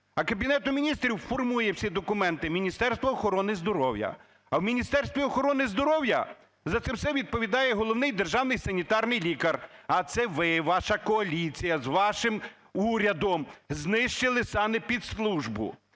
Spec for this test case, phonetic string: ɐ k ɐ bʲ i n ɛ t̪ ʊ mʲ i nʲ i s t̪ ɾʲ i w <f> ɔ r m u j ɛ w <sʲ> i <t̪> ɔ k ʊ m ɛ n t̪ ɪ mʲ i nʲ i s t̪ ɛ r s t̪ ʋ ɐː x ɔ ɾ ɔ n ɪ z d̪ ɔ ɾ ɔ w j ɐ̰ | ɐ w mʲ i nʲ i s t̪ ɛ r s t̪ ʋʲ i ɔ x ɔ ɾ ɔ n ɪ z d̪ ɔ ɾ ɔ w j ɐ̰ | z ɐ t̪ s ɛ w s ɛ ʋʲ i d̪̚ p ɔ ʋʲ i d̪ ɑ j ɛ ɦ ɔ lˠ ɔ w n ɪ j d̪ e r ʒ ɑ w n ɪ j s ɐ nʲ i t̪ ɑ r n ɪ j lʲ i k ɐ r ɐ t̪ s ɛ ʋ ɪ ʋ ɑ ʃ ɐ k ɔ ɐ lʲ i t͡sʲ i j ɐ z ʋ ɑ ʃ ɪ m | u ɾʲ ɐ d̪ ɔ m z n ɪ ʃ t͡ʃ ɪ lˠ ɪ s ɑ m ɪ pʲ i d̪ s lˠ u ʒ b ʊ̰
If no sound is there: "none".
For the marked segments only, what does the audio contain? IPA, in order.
f, sʲ, d̪

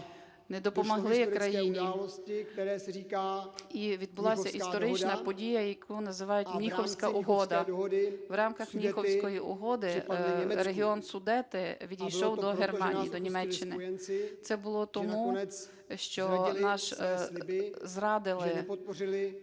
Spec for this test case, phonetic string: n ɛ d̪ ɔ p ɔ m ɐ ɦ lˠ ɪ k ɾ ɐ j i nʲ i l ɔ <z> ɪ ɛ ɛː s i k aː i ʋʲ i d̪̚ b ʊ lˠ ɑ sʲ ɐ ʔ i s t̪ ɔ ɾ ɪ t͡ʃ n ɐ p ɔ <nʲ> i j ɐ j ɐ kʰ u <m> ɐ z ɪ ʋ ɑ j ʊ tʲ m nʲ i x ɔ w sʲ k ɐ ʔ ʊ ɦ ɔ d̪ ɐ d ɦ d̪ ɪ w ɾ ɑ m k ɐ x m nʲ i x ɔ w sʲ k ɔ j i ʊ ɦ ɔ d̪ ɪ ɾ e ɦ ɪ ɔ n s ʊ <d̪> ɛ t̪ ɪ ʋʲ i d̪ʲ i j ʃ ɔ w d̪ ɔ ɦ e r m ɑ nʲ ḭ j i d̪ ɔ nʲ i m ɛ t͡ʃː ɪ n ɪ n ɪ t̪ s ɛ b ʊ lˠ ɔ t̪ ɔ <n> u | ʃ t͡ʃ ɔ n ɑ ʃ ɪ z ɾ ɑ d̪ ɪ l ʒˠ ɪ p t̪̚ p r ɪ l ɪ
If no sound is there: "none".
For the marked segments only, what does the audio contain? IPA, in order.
s, dʲ, n, d̪, m

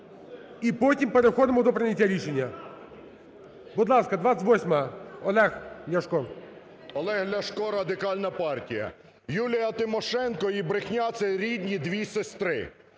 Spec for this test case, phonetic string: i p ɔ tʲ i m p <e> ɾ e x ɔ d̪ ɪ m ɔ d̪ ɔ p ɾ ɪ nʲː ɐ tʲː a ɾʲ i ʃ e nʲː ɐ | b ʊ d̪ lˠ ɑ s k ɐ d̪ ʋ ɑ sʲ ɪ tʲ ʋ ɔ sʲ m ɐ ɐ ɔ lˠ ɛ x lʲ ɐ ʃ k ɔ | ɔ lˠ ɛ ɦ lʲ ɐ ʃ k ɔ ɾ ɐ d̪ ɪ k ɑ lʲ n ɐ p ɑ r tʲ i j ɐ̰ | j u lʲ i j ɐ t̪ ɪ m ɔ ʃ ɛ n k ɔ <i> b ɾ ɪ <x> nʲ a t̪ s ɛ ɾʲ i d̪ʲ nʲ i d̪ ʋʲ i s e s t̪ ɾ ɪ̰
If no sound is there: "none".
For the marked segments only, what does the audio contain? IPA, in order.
e, i, x

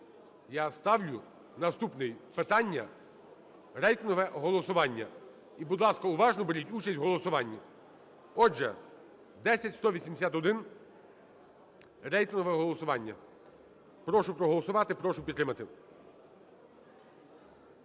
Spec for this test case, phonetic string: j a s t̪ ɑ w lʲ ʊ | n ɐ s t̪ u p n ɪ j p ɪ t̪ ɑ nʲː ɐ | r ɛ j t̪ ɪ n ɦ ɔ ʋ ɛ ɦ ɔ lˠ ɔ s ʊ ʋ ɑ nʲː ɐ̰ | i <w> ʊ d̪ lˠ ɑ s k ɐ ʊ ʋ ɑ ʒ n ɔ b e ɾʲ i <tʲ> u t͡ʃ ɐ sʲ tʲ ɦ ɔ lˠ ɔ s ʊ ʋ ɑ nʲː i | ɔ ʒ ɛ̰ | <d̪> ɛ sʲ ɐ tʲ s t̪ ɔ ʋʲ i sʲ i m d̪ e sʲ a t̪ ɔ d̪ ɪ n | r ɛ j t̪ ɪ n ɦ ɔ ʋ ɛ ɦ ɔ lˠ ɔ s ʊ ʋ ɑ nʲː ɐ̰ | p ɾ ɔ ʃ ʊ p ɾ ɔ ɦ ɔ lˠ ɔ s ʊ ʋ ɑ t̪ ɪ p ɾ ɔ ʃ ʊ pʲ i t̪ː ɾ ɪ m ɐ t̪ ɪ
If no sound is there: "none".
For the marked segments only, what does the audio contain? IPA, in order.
b, tʲ, d̪

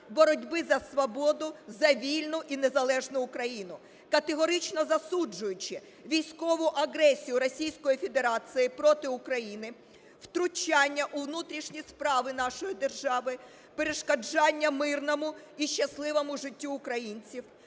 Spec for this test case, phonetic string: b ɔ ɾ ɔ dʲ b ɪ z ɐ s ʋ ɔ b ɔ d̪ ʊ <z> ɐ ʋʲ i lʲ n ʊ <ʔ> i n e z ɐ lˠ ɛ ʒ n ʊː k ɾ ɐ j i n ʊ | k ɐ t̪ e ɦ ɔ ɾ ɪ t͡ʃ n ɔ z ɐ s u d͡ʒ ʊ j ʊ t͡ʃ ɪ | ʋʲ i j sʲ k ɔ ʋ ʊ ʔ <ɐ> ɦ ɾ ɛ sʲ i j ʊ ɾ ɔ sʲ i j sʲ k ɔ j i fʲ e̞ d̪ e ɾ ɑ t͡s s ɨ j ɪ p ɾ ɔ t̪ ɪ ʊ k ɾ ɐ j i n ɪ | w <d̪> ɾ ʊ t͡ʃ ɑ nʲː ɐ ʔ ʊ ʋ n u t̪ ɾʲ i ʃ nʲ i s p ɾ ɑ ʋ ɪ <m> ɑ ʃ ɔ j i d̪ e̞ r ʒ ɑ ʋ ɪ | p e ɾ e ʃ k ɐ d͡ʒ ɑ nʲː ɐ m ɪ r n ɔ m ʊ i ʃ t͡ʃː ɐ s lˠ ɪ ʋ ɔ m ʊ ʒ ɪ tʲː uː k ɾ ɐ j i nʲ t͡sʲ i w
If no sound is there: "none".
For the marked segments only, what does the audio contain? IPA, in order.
z, ʔ, ɐ, t̪, n

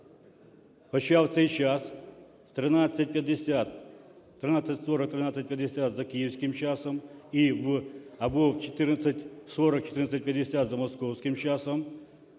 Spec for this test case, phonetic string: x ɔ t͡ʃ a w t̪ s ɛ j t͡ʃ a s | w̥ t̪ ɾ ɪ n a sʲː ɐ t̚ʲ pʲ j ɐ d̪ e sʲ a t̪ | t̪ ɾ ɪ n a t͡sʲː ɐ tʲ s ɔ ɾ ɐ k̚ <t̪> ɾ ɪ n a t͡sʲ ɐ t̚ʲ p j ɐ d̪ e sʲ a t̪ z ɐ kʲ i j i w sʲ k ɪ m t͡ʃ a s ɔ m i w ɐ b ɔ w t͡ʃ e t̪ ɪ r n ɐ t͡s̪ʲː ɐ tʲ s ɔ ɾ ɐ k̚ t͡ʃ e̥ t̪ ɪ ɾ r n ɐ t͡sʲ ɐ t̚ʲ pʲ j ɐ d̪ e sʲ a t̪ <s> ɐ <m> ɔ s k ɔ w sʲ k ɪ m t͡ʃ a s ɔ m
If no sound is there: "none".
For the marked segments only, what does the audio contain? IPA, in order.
t̪, z, m

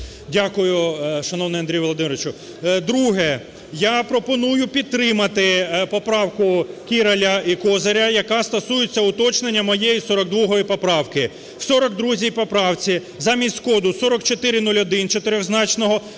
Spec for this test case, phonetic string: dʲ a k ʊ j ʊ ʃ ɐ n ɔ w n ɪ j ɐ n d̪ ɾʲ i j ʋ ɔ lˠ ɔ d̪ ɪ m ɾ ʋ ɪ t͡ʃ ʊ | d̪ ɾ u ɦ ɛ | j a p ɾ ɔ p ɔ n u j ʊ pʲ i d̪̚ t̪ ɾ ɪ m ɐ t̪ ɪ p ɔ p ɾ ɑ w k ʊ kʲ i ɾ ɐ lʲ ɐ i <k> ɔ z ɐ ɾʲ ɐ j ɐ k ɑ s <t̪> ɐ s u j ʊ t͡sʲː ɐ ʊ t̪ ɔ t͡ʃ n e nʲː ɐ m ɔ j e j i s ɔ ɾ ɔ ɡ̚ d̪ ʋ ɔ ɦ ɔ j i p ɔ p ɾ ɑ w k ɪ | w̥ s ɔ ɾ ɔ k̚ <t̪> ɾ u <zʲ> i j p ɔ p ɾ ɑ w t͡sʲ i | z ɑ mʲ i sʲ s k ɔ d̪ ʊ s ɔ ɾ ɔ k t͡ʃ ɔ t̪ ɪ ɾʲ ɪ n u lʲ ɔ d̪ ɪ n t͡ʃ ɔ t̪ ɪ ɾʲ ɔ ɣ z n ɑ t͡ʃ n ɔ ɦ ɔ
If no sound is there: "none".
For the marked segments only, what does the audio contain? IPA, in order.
k, t̪, d̪, zʲ

